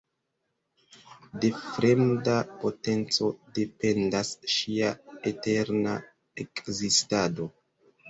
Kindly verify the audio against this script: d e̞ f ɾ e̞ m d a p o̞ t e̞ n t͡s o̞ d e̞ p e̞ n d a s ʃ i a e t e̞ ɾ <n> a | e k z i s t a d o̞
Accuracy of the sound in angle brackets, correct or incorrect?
correct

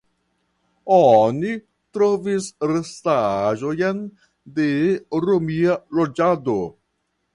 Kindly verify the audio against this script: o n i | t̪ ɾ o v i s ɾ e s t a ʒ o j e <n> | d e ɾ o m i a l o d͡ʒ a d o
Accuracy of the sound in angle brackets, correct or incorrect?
correct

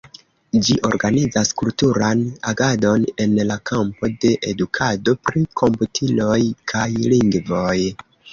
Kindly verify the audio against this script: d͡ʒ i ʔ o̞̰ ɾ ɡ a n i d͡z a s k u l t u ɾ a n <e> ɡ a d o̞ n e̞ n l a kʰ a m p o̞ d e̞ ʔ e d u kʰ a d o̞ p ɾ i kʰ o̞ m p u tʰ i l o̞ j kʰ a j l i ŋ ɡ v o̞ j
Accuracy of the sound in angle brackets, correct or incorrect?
incorrect: a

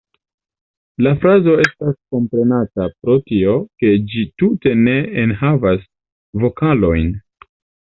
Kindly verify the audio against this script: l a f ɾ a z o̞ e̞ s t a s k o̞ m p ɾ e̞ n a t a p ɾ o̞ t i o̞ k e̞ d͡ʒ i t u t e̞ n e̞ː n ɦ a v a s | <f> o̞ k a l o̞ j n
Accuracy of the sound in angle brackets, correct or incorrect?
incorrect: v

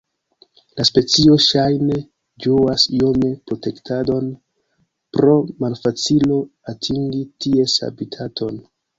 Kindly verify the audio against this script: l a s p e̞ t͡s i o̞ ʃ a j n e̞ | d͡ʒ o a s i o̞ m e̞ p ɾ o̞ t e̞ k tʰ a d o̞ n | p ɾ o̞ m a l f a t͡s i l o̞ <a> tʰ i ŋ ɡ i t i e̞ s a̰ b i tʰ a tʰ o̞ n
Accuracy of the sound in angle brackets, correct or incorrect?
correct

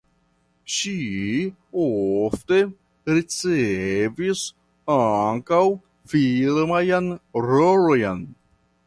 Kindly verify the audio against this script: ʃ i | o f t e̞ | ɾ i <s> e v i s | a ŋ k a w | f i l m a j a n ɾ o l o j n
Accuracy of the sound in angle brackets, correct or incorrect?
incorrect: t͡s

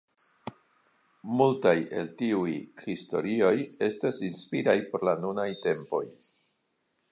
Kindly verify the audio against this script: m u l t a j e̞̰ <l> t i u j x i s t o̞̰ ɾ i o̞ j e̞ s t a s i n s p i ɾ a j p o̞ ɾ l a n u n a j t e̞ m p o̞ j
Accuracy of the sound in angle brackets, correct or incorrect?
correct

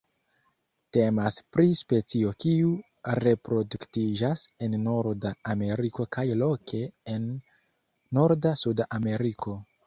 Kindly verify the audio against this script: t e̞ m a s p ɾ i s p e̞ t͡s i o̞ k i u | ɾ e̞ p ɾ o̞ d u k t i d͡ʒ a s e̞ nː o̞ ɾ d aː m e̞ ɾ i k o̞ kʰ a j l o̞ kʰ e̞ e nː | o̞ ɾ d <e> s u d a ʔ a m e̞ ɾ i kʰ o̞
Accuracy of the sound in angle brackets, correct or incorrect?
incorrect: a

